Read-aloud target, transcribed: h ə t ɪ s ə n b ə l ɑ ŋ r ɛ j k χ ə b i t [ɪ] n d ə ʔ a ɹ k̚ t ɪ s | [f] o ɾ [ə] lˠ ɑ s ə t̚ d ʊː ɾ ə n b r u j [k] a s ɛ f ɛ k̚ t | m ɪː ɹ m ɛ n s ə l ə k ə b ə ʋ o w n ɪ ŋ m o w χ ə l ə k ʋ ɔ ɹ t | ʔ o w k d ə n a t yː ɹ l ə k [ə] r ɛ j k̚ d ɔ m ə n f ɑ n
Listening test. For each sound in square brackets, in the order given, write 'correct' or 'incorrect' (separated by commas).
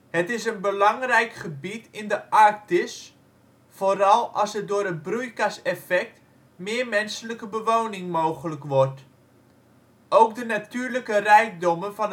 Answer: correct, correct, incorrect, correct, correct